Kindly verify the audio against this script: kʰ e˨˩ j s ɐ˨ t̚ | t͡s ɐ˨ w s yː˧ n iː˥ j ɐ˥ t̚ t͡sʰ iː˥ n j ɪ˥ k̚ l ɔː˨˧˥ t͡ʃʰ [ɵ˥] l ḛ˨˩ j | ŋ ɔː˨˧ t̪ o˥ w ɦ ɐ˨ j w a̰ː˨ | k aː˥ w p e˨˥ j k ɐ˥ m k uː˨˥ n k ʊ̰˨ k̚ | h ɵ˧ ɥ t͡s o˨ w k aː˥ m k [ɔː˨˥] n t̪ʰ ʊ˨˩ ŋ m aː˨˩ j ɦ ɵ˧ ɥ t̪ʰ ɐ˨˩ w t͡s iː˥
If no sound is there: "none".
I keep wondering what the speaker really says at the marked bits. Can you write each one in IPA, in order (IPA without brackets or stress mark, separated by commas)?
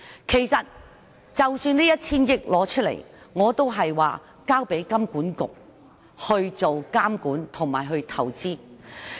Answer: ɵ˥, uː˨˥